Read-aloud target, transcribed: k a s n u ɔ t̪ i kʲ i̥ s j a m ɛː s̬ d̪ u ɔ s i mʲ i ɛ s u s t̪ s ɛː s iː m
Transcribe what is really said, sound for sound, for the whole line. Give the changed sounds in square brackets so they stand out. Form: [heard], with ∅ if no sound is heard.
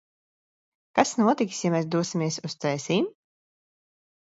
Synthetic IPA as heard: k a s n u ɔ t̪ i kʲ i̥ s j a m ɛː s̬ d̪ u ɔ s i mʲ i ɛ s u s t̪ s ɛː s iː m